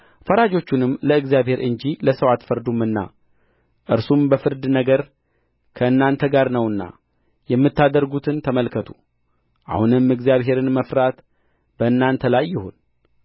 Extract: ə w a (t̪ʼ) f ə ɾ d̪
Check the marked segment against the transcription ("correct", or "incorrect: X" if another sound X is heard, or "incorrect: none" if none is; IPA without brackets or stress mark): incorrect: t̪